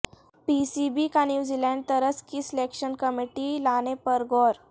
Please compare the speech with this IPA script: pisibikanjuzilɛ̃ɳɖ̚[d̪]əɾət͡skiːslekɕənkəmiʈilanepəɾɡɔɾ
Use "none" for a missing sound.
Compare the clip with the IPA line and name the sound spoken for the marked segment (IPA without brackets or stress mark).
t̪